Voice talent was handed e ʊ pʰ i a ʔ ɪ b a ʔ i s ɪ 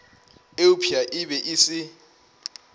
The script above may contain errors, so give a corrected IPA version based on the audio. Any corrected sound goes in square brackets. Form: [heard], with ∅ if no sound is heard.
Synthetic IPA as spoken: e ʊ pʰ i a ʔ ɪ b [ɛ] ʔ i s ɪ